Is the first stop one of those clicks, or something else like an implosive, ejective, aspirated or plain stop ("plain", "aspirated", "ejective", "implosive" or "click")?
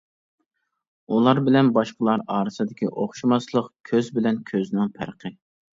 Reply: plain